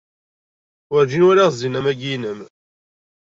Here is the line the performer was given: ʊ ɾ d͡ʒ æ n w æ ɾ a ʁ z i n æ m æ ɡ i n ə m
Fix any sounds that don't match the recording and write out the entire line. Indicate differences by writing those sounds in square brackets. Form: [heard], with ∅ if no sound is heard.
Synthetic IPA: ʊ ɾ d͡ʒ [i] n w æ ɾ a ʁ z i n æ m æ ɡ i n ə m